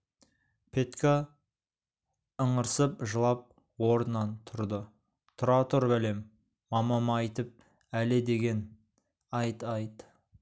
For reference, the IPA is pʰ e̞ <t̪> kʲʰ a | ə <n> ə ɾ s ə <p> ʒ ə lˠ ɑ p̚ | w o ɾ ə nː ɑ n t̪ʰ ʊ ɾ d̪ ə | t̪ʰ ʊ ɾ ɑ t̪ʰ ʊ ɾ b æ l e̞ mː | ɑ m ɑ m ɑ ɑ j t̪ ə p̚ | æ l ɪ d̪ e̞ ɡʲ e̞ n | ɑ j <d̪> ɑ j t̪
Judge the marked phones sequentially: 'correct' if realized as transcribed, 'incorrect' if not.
correct, incorrect, correct, incorrect

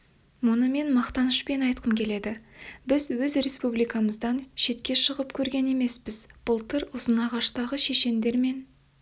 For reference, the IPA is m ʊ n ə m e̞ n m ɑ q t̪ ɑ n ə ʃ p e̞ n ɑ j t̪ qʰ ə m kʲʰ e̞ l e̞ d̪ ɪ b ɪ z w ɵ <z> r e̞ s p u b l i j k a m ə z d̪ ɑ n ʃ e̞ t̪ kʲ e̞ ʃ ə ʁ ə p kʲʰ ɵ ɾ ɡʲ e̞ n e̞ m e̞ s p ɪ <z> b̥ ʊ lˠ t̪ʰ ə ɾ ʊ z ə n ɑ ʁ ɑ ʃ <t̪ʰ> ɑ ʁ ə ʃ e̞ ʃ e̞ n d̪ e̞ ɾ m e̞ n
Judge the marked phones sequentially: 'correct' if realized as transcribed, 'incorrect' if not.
correct, correct, incorrect

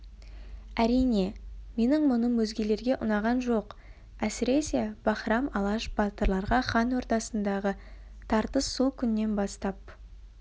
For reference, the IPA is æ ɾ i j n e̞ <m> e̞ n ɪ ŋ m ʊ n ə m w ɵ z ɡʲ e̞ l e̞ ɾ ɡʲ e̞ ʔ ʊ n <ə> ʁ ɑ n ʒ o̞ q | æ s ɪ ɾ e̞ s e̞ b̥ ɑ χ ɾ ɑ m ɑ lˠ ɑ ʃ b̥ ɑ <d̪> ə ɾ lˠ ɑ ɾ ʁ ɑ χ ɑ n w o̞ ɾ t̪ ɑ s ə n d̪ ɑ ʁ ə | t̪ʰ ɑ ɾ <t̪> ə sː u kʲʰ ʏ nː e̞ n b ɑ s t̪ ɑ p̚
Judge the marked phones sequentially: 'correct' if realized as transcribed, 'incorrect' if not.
correct, incorrect, incorrect, correct

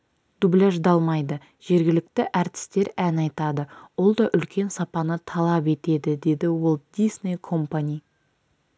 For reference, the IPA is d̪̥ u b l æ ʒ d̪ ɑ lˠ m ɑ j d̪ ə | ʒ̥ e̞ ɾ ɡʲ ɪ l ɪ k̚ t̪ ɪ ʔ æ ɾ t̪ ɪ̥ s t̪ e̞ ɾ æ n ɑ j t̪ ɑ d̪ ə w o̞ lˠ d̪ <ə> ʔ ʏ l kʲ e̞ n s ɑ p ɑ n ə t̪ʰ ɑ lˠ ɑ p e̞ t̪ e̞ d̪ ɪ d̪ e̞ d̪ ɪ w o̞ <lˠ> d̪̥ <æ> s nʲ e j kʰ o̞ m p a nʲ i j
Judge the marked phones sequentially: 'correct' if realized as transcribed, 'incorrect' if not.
incorrect, correct, incorrect

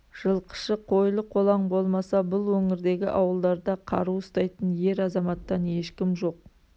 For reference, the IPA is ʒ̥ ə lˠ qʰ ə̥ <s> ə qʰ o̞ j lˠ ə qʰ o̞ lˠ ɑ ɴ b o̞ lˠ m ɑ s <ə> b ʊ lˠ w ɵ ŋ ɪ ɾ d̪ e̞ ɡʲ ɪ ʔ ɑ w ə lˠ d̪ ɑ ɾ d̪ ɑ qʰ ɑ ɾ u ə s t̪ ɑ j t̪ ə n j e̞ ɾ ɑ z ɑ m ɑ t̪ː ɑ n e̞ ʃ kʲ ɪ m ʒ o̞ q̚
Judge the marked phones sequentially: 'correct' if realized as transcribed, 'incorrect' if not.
incorrect, incorrect

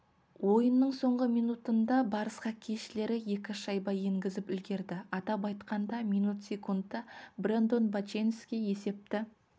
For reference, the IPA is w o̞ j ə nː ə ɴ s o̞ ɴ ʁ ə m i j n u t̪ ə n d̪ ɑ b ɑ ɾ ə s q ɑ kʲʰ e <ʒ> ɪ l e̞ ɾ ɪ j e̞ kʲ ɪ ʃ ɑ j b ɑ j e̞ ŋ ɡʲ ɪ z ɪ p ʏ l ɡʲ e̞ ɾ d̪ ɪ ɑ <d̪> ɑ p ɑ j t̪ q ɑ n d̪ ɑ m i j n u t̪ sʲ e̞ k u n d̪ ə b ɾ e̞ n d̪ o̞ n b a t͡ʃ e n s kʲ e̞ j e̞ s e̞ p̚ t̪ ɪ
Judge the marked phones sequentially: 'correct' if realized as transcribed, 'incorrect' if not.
incorrect, incorrect

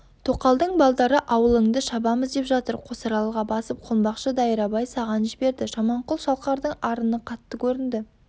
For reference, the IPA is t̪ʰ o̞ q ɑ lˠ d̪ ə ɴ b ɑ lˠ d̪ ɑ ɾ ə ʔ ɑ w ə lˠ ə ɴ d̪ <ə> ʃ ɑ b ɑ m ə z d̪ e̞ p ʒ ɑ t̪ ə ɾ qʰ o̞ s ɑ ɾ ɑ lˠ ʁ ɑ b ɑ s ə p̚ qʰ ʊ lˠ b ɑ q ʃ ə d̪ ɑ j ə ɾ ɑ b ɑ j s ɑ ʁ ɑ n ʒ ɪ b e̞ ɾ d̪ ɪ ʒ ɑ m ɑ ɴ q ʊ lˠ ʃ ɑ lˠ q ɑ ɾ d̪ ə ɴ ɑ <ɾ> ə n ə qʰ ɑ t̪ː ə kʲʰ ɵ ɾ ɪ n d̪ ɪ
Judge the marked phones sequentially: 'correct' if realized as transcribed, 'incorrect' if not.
correct, correct

